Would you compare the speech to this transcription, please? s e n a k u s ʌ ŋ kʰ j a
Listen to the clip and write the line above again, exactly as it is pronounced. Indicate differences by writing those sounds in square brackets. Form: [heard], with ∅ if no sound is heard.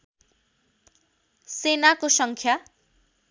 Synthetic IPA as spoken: s e n a k [o] s ʌ ŋ kʰ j a